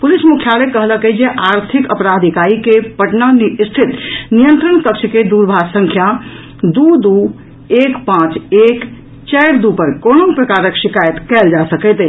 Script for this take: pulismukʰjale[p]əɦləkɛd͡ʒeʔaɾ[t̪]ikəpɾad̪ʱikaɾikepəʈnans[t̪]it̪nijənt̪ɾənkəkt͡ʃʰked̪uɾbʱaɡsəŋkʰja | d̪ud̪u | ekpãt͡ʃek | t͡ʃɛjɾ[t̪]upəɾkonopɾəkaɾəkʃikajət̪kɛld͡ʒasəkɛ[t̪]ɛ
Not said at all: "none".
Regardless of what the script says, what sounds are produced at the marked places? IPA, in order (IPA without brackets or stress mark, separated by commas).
k, t̪ʰ, t̪ʰ, d̪, t̪